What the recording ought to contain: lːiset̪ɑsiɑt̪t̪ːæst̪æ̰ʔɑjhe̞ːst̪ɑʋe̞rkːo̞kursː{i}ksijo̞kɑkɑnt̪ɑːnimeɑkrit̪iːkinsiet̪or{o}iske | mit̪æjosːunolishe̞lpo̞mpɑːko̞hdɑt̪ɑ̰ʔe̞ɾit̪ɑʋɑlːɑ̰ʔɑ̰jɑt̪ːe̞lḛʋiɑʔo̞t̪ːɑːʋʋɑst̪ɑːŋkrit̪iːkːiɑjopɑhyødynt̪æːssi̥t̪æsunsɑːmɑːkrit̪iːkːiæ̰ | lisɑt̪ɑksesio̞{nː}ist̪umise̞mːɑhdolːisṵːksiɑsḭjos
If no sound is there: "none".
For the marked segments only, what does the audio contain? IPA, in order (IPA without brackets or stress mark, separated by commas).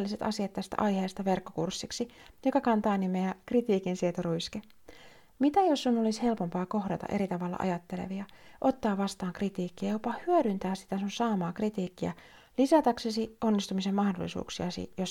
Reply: i, u, nː